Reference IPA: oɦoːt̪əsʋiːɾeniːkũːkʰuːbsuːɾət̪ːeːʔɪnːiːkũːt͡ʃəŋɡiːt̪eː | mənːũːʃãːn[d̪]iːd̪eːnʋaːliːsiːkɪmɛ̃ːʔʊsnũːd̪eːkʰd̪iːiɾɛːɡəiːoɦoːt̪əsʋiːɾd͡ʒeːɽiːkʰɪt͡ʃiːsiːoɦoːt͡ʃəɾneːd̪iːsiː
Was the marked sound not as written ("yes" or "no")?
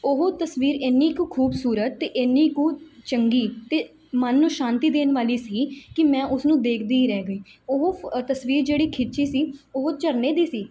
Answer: yes